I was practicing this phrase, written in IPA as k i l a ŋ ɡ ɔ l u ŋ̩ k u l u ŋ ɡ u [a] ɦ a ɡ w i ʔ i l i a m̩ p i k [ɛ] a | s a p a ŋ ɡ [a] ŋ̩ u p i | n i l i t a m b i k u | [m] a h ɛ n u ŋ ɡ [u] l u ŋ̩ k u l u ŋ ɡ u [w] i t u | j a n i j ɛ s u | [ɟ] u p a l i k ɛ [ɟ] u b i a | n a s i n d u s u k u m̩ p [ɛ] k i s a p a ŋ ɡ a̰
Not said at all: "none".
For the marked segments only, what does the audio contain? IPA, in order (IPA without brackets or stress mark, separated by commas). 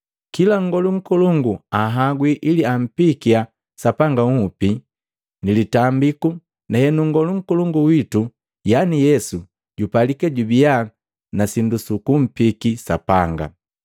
a, i, a, n, ɔ, w, ɟ, ɟ, i